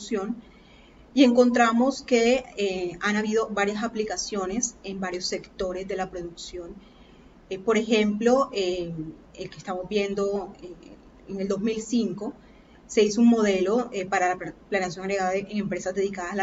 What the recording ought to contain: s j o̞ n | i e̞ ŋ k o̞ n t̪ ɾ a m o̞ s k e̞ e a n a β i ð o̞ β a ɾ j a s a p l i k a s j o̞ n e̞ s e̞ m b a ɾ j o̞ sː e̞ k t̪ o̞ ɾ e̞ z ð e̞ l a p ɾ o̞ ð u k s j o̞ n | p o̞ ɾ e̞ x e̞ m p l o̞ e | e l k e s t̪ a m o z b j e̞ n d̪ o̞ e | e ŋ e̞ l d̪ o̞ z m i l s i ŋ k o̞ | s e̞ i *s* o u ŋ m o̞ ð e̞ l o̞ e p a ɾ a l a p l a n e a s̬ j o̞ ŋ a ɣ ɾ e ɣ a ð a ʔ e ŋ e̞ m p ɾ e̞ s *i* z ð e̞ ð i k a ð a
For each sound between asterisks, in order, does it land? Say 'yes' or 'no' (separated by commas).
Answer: yes, no